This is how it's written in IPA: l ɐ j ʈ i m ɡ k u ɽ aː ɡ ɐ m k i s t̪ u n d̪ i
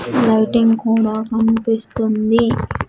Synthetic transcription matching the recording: l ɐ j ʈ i ŋ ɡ k uː ɽ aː k ɐ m p i s t̪ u n d̪ i